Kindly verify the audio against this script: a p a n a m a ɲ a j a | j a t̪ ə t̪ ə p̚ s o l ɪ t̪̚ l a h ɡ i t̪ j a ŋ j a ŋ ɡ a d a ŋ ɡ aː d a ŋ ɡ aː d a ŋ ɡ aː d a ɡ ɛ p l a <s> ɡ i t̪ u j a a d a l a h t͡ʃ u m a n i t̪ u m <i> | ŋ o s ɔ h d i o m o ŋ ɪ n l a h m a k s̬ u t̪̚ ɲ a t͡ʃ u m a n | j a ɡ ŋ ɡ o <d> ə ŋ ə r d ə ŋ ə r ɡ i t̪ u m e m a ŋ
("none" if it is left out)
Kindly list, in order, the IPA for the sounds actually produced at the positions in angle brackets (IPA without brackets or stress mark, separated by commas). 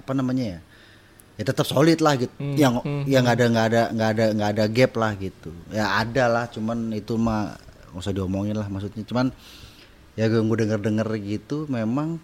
h, a, d